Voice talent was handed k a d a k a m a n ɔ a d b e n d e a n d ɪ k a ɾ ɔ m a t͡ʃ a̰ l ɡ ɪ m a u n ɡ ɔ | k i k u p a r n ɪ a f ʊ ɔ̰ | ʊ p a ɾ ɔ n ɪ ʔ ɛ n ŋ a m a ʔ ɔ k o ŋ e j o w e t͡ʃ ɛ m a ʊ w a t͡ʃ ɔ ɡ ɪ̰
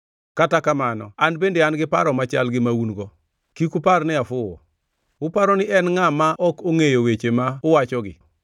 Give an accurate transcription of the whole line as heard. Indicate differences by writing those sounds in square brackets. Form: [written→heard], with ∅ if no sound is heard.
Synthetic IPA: k a [d→t] a k a m a n ɔ a [d→n] b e n d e a n [d→ɡ] ɪ [k→p] a ɾ ɔ m a t͡ʃ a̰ l ɡ ɪ m a u n ɡ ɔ | k i k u p a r n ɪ a f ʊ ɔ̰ | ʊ p a ɾ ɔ n ɪ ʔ ɛ n ŋ a m a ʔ ɔ k o ŋ e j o w e t͡ʃ [ɛ→e] m a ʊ w a t͡ʃ ɔ ɡ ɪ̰